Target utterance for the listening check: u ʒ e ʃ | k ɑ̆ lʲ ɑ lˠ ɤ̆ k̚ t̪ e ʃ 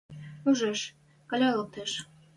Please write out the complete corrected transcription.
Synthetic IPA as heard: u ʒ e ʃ | k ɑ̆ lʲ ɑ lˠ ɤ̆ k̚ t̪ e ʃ